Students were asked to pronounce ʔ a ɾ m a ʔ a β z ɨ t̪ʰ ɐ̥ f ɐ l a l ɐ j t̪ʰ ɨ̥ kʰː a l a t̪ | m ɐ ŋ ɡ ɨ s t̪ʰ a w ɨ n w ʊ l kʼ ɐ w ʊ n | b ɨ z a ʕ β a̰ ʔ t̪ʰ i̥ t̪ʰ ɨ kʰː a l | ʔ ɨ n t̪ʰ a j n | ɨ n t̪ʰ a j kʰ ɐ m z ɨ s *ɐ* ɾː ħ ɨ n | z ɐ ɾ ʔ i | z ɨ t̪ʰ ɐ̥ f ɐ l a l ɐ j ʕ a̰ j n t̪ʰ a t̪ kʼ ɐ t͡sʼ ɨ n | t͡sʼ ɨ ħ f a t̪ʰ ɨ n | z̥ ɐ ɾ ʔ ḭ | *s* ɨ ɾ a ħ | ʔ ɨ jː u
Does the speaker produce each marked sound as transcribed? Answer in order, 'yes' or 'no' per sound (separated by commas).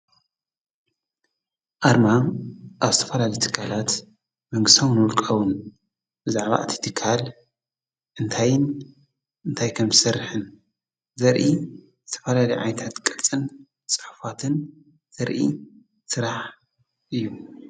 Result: yes, yes